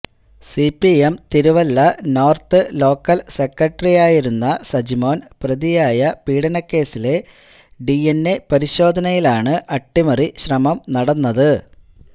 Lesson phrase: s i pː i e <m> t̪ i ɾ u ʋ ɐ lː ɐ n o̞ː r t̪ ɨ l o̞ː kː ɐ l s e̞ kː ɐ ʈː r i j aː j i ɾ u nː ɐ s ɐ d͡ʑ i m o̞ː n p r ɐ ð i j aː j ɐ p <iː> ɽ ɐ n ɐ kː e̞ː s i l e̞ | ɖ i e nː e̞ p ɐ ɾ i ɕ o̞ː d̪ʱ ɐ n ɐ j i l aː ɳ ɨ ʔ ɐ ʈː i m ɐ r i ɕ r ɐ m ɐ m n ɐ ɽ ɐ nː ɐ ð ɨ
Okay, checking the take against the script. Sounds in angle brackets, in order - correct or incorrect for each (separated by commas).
correct, correct